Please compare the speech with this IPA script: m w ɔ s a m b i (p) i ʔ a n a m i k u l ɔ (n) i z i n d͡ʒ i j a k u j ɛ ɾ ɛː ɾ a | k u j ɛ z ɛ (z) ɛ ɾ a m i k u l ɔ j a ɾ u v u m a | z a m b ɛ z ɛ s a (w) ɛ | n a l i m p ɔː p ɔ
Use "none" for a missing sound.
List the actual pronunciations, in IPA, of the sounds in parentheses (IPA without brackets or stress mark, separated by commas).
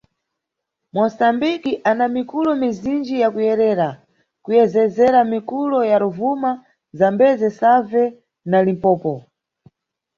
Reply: k, m, z, v